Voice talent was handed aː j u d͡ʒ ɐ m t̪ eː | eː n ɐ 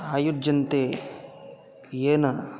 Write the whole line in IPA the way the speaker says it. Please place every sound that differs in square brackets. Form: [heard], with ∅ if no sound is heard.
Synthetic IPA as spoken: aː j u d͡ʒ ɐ [n] t̪ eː | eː n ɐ

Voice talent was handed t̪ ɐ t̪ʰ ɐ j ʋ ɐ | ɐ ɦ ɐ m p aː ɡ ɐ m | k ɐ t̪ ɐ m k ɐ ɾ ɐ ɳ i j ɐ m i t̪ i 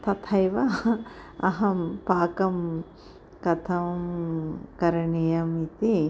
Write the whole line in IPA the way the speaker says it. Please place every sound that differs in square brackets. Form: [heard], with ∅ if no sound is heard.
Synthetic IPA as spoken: t̪ ɐ t̪ʰ ɐ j ʋ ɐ | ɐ ɦ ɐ m p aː [k] ɐ m | k ɐ [t̪ʰ] ɐ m k ɐ ɾ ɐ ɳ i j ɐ m i t̪ i

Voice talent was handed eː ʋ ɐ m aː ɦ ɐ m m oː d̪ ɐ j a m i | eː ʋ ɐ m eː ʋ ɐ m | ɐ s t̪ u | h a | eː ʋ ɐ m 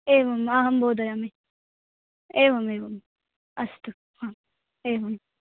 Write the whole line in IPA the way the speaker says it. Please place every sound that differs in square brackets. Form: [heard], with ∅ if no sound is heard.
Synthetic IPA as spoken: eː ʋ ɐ m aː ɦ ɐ m [b] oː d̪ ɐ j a m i | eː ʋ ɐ m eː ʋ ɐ m | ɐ s t̪ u | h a | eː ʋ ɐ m

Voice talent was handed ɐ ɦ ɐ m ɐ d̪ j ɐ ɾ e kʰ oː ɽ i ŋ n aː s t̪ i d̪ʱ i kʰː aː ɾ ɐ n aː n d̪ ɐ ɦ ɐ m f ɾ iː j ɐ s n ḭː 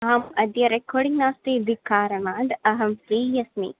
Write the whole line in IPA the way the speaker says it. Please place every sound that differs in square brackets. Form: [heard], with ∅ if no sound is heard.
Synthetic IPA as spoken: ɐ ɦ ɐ m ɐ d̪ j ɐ ɾ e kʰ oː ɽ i ŋ n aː s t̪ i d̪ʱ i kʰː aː ɾ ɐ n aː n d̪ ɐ ɦ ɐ m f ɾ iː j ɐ s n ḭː

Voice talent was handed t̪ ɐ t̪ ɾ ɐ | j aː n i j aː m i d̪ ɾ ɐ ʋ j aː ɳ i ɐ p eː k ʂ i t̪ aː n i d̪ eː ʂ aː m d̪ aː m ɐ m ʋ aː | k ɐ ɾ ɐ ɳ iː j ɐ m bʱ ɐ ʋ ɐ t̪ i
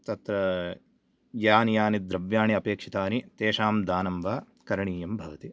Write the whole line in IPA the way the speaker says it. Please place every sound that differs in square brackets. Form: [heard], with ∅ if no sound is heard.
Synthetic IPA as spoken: t̪ ɐ t̪ ɾ ɐ | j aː n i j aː [n] i d̪ ɾ ɐ ʋ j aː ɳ i ɐ p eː k ʂ i t̪ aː n i [t̪] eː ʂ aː m d̪ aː [n] ɐ m ʋ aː | k ɐ ɾ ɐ ɳ iː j ɐ m bʱ ɐ ʋ ɐ t̪ i

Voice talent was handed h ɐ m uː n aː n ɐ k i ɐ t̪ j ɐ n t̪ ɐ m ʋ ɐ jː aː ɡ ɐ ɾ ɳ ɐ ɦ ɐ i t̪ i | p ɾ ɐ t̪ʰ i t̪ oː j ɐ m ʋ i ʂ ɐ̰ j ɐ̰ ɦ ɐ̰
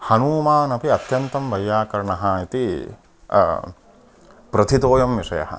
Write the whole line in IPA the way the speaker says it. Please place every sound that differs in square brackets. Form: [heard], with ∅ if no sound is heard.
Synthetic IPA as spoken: h ɐ [n] uː [m] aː n ɐ [p] i ɐ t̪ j ɐ n t̪ ɐ m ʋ ɐ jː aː [k] ɐ ɾ ɳ ɐ ɦ ɐ i t̪ i | p ɾ ɐ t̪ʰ i t̪ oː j ɐ m ʋ i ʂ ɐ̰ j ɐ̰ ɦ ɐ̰

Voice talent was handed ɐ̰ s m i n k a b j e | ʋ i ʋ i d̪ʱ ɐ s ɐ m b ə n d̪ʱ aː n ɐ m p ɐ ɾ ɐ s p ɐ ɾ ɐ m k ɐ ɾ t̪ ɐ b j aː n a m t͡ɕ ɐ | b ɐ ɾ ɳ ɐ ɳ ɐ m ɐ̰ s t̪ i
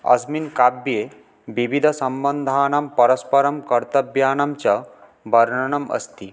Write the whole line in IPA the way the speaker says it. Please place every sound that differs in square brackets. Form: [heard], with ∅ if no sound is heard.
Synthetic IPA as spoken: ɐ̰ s m i n k a b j e | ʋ i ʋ i d̪ʱ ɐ s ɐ m b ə n d̪ʱ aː n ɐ m p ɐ ɾ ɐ s p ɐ ɾ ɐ m k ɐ ɾ t̪ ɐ b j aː n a m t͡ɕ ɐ | b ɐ ɾ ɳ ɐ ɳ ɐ m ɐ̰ s t̪ i

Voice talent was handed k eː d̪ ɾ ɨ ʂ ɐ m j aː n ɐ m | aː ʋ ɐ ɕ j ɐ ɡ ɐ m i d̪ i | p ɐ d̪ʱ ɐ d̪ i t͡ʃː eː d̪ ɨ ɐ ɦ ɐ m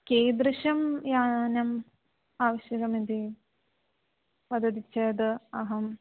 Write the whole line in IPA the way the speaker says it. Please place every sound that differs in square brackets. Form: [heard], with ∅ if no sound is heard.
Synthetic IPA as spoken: k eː d̪ ɾ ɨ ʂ ɐ m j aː n ɐ m | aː ʋ ɐ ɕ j ɐ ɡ ɐ m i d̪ i | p ɐ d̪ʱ ɐ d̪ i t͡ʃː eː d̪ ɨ ɐ ɦ ɐ m

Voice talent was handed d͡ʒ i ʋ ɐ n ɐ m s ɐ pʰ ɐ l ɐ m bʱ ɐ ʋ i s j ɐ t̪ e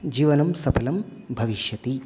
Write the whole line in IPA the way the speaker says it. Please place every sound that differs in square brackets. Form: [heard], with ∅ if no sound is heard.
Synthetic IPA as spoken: d͡ʒ [iː] ʋ ɐ n ɐ m s ɐ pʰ ɐ l ɐ m bʱ ɐ ʋ i [ʃ] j ɐ t̪ [i]

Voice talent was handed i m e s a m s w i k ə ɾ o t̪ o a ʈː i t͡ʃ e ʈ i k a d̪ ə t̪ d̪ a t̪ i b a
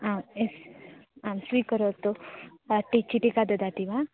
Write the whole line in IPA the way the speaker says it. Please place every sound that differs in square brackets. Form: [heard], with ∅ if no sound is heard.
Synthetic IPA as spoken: [a] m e s a m s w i k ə ɾ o t̪ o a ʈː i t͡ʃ [i] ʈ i k a d̪ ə [∅] d̪ a t̪ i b a

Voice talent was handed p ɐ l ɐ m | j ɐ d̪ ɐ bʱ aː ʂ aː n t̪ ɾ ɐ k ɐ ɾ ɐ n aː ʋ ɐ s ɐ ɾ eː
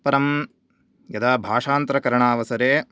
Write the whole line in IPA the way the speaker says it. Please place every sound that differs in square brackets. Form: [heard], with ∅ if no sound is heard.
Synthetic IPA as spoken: p ɐ [ɾ] ɐ m | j ɐ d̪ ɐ bʱ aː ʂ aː n t̪ ɾ ɐ k ɐ ɾ ɐ [ɳ] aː ʋ ɐ s ɐ ɾ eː

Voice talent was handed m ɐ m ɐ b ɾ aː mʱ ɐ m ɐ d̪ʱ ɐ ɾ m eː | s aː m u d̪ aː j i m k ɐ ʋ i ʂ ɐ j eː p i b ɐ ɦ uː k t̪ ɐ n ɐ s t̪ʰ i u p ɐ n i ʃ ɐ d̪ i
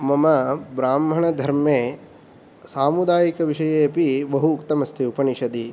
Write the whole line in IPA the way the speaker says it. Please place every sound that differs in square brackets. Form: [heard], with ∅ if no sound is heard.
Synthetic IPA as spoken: m ɐ m ɐ b ɾ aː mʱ ɐ [ɳ] ɐ d̪ʱ ɐ ɾ m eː | s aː m u d̪ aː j i [∅] k ɐ ʋ i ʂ ɐ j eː p i b ɐ ɦ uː k t̪ ɐ [m] ɐ s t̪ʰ i u p ɐ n i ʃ ɐ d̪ i

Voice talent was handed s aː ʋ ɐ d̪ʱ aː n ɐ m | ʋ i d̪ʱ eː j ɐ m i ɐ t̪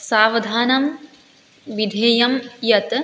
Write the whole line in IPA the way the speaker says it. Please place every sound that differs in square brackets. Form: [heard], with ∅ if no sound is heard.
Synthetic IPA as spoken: s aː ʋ ɐ d̪ʱ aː n ɐ m | ʋ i d̪ʱ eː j ɐ m [j] ɐ t̪

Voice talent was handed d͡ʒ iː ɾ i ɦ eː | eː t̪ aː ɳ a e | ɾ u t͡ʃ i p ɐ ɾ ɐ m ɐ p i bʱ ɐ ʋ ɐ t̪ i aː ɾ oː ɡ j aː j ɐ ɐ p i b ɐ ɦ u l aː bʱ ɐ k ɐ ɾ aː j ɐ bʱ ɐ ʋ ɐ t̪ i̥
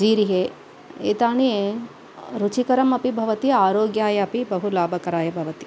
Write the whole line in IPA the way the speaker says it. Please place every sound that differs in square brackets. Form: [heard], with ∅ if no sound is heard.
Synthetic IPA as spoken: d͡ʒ iː ɾ i ɦ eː | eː t̪ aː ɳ [i] e | ɾ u t͡ʃ i [k] ɐ ɾ ɐ m ɐ p i bʱ ɐ ʋ ɐ t̪ i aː ɾ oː ɡ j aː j ɐ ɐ p i b ɐ ɦ u l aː bʱ ɐ k ɐ ɾ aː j ɐ bʱ ɐ ʋ ɐ t̪ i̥

